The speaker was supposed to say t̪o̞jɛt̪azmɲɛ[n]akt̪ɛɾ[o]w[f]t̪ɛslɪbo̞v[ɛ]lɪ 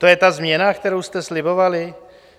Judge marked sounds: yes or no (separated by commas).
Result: yes, yes, no, no